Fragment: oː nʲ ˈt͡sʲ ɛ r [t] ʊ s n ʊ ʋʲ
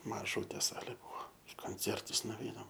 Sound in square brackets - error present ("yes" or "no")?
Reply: no